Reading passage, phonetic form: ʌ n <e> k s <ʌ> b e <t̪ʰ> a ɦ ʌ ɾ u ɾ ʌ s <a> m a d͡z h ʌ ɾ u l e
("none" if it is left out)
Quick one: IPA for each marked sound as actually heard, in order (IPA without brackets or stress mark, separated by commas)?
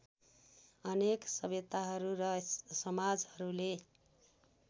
e, ʌ, t̪, ʌ